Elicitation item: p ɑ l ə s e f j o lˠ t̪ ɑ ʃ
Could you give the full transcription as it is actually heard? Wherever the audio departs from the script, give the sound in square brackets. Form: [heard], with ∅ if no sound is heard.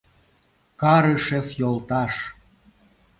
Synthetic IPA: [k] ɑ [ɾ] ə [ʃ] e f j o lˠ t̪ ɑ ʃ